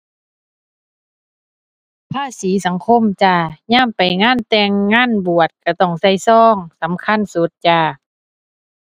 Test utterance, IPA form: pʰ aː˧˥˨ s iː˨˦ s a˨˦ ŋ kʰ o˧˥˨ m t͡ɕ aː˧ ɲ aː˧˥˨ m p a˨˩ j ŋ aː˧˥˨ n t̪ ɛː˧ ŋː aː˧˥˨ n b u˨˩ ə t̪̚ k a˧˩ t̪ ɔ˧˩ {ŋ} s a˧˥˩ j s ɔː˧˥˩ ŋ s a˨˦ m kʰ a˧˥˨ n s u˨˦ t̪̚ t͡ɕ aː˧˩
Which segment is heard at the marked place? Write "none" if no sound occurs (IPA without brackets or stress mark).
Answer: ŋ